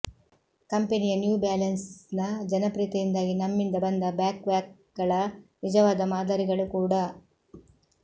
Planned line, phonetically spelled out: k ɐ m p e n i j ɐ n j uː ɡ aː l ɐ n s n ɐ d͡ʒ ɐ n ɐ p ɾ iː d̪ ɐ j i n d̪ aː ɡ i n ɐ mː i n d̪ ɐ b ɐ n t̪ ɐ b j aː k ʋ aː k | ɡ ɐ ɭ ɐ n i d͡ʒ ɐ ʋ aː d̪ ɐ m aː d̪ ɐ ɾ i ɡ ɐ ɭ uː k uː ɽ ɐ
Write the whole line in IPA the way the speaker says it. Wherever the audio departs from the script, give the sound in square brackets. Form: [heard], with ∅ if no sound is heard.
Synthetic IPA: k ɐ m p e n i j ɐ n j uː [b] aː l ɐ n s n ɐ d͡ʒ ɐ n ɐ p ɾ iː [t̪] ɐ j i n d̪ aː ɡ i n ɐ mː i n d̪ ɐ b ɐ n [d̪] ɐ b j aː k ʋ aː k | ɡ ɐ ɭ ɐ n i d͡ʒ ɐ ʋ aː d̪ ɐ m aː d̪ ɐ ɾ i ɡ ɐ ɭ [u] k uː ɽ ɐ